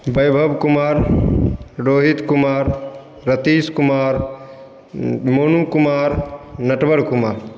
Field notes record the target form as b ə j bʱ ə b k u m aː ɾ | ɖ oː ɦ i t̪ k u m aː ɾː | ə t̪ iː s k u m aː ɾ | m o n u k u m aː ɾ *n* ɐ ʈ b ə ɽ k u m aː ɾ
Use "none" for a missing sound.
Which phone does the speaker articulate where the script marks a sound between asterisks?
n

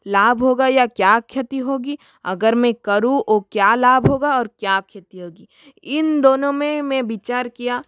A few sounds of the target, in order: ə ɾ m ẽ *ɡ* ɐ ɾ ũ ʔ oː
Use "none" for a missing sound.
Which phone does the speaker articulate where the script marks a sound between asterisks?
k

